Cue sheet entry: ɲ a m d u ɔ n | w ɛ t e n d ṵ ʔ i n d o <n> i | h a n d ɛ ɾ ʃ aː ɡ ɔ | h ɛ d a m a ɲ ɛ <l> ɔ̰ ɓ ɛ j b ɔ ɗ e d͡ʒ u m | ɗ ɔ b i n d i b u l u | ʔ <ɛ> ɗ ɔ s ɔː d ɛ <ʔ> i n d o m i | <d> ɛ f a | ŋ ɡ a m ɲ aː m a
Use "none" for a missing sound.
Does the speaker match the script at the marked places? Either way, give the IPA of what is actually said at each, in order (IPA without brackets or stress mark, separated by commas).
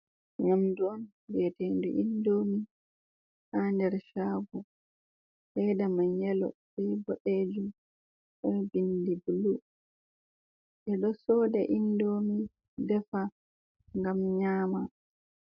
m, l, ɛ, ʔ, d